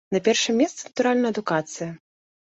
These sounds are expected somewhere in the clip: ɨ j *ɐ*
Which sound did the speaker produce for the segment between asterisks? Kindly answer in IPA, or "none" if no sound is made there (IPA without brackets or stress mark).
ɐ